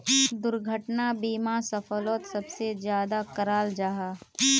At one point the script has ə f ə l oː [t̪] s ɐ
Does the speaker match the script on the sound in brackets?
yes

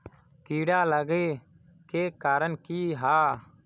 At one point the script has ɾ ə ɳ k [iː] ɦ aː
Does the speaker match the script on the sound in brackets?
yes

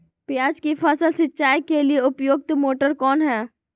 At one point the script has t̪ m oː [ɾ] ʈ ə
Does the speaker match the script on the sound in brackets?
no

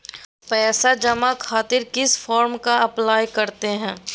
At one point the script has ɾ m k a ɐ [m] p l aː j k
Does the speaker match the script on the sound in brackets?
no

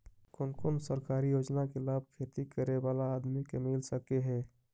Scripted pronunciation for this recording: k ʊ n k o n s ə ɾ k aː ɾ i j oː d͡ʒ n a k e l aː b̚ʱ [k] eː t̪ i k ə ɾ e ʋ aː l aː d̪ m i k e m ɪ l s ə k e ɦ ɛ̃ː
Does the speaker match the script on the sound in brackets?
no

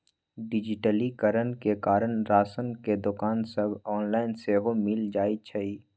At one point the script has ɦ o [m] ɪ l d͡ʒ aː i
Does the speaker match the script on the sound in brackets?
yes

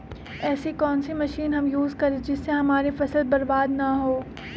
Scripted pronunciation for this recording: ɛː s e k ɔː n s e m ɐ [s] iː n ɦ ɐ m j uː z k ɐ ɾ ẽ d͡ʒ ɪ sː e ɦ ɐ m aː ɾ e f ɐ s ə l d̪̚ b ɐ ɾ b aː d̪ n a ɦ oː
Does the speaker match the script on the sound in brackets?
no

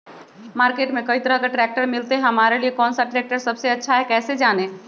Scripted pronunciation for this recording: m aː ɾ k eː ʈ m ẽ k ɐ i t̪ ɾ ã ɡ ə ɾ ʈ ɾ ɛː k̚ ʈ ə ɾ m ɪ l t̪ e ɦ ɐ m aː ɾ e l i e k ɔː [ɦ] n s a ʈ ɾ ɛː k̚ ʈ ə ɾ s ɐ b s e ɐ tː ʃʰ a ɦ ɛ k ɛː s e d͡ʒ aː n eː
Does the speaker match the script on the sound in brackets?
no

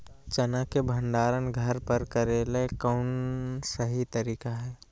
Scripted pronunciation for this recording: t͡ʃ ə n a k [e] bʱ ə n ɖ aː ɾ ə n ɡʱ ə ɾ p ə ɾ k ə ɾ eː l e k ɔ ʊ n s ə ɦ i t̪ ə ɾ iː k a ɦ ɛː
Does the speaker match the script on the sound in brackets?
yes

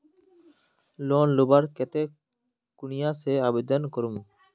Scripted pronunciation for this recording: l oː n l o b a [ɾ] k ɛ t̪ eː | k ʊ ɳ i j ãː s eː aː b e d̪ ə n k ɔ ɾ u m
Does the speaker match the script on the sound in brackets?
yes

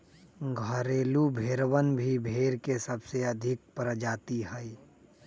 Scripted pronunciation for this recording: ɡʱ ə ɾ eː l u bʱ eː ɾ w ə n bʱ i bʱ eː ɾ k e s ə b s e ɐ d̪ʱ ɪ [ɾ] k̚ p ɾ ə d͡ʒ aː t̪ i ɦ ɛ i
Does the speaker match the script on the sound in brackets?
no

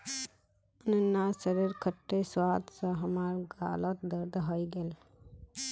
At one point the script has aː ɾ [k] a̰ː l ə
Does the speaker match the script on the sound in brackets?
no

